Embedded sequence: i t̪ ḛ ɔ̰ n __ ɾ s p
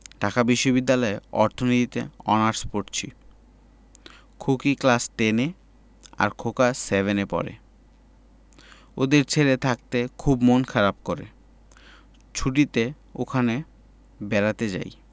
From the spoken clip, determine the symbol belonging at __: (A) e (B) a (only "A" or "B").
B